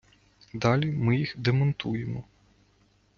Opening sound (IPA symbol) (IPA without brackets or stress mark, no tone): d̪